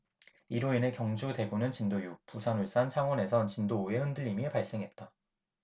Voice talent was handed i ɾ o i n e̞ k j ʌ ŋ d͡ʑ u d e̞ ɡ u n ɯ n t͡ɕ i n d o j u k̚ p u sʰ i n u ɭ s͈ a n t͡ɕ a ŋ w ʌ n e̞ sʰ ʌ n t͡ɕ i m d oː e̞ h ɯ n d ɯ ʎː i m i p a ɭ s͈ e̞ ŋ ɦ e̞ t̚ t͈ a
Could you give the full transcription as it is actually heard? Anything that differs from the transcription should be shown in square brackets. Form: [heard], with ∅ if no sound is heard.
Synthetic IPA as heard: i ɾ o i n e̞ k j ʌ ŋ d͡ʑ u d e̞ ɡ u n ɯ n t͡ɕ i n d o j u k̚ p u sʰ [a] n u ɭ s͈ a n [t͡ɕʰ] a ŋ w ʌ n e̞ sʰ ʌ n t͡ɕ i [n] d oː e̞ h ɯ n d ɯ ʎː i m i p a ɭ s͈ e̞ ŋ ɦ e̞ t̚ t͈ a